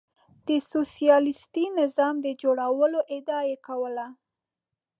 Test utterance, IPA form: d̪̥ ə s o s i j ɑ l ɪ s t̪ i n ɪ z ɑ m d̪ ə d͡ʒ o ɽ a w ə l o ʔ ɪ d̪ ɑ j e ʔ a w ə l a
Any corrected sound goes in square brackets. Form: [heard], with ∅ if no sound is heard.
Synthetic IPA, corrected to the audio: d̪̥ ə s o s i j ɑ l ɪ s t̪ i n ɪ z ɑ m d̪ ə d͡ʒ o ɽ a w ə l o ʔ ɪ d̪ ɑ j e [k] a w ə l a